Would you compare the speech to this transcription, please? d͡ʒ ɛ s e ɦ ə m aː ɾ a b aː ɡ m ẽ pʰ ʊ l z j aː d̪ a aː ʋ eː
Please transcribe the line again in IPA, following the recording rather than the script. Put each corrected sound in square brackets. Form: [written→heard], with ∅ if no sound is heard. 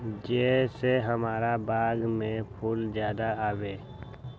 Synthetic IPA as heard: d͡ʒ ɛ s e ɦ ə m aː ɾ a b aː ɡ m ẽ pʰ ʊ l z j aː d̪ a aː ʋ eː